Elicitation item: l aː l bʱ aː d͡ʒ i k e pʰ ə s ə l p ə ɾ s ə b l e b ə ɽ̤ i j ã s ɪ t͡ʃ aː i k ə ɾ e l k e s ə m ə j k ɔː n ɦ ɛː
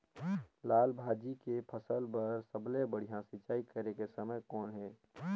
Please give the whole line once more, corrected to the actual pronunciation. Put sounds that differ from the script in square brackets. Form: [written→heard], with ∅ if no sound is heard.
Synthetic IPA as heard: l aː l bʱ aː d͡ʒ i k e pʰ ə s ə l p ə ɾ s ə b l e b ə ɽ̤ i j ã s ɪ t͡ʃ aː i k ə ɾ e [l→∅] k e s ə m ə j k ɔː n ɦ ɛː